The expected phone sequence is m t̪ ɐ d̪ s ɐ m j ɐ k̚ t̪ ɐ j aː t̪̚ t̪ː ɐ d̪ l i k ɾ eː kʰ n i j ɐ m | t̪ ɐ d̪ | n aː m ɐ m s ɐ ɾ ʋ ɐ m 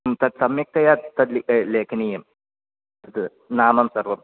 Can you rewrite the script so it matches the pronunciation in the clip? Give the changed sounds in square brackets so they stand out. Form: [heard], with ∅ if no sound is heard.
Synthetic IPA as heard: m t̪ ɐ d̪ s ɐ m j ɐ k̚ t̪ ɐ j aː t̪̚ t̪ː ɐ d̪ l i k [l] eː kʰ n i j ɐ m | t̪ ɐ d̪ | n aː m ɐ m s ɐ ɾ ʋ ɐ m

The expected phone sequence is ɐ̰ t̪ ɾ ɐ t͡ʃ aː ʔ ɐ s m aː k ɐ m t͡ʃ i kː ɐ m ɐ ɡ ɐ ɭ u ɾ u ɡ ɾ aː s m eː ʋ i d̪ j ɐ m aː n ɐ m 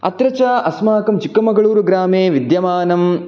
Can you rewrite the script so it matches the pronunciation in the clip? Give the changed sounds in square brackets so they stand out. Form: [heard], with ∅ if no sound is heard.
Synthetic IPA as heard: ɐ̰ t̪ ɾ ɐ t͡ʃ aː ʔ ɐ s m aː k ɐ m t͡ʃ i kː ɐ m ɐ ɡ ɐ ɭ [uː] ɾ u ɡ ɾ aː [∅] m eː ʋ i d̪ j ɐ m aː n ɐ m

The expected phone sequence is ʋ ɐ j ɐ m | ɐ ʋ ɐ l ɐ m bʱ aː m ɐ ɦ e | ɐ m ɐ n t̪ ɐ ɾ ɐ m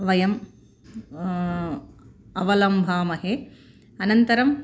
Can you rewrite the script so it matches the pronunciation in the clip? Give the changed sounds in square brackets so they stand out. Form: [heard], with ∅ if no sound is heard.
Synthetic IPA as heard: ʋ ɐ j ɐ m | ɐ ʋ ɐ l ɐ m bʱ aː m ɐ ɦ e | ɐ [n] ɐ n t̪ ɐ ɾ ɐ m

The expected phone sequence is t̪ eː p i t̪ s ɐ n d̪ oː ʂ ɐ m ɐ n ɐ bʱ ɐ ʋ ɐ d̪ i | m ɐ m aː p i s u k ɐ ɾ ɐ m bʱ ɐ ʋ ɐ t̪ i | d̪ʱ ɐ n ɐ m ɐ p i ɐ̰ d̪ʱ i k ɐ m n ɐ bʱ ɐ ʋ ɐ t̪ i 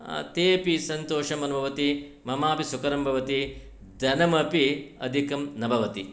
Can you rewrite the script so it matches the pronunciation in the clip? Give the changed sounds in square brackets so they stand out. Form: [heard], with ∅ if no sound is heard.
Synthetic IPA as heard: t̪ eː p i [∅] s ɐ n [t̪] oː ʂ ɐ m ɐ n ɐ bʱ ɐ ʋ ɐ [t̪] i | m ɐ m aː p i s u k ɐ ɾ ɐ m bʱ ɐ ʋ ɐ t̪ i | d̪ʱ ɐ n ɐ m ɐ p i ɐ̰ d̪ʱ i k ɐ m n ɐ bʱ ɐ ʋ ɐ t̪ i

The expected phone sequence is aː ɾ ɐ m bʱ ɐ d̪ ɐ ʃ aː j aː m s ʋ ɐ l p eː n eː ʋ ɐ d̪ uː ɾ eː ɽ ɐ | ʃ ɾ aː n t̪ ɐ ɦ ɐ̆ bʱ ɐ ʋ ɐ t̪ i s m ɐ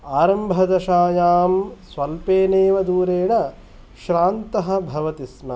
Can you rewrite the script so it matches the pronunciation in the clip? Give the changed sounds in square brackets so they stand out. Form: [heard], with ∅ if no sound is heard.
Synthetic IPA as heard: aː ɾ ɐ m bʱ ɐ d̪ ɐ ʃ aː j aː m s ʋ ɐ l p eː n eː ʋ ɐ d̪ uː ɾ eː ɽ ɐ | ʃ ɾ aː n t̪ ɐ ɦ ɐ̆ bʱ ɐ ʋ ɐ t̪ i s m ɐ

